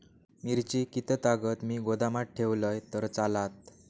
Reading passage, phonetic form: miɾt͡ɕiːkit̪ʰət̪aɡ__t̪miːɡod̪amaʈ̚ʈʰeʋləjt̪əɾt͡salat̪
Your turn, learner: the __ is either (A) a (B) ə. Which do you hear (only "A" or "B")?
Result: B